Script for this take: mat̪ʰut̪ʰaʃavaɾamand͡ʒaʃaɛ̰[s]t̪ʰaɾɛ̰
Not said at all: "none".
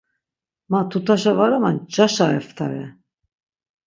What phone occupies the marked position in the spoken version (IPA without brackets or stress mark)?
f